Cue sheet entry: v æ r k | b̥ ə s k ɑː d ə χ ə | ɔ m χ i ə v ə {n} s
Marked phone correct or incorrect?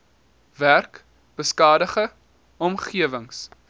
incorrect